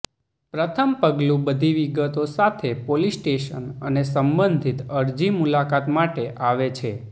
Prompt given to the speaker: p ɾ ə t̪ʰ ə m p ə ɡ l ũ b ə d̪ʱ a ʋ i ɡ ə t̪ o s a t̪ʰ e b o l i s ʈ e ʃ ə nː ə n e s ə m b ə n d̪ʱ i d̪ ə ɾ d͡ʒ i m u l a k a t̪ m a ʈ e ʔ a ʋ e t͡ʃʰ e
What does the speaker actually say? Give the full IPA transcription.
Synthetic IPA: p ɾ ə t̪ʰ ə m p ə ɡ l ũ b ə d̪ʱ i ʋ i ɡ ə t̪ o s a t̪ʰ e p o l i s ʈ e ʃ ə n ə n e s ə m b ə n d̪ʱ i t̪ ə ɾ d͡ʒ i m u l a k a t̪ m a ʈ e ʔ a ʋ e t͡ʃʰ e